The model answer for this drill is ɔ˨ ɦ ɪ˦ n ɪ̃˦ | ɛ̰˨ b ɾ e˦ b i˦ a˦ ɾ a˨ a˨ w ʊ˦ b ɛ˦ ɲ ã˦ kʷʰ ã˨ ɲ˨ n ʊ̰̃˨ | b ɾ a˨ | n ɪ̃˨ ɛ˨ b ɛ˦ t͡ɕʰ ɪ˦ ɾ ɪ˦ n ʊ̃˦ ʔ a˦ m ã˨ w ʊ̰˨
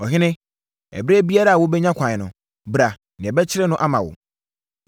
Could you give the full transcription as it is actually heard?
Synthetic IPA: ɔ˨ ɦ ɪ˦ n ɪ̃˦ | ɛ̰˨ b ɾ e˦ b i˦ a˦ ɾ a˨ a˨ w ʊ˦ b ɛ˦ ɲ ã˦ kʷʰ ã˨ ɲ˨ n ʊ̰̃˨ | b ɾ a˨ | n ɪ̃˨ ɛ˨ b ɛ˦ t͡ɕʰ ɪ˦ ɾ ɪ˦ n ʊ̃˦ ʔ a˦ m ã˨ w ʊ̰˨